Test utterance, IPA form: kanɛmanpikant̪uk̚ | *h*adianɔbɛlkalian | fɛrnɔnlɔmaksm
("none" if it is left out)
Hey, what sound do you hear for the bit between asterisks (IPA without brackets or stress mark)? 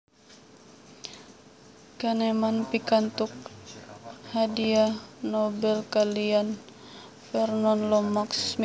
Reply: h